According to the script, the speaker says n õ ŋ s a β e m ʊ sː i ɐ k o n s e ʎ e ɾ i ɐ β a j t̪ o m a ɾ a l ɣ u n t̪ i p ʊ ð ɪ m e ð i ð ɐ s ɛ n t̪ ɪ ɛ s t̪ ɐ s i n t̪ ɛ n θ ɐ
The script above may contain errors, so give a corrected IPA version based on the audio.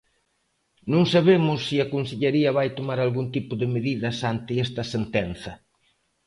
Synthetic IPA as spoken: n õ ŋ s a β e m ʊ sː i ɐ k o n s e ʎ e ɾ i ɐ β a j t̪ o m a ɾ a l ɣ u n t̪ i p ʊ ð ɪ m e ð i ð ɐ s a n t̪ ɪ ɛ s t̪ ɐ s e n t̪ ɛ n θ ɐ